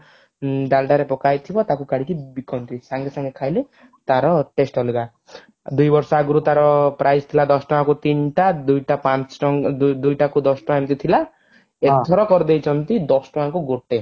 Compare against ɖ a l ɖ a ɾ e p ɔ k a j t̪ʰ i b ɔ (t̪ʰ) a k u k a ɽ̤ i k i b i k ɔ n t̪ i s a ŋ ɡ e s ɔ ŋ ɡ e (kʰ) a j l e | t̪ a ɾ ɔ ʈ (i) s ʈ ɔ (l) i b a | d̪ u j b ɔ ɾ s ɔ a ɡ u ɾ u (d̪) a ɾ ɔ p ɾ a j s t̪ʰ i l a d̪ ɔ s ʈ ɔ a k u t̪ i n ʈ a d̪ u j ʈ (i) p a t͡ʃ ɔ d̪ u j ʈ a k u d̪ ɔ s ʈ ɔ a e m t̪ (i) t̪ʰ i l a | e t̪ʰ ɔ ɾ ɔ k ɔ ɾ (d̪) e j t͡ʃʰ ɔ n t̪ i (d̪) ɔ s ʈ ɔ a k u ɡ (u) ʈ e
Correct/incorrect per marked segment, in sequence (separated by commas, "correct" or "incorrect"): incorrect, correct, incorrect, correct, incorrect, incorrect, correct, correct, correct, incorrect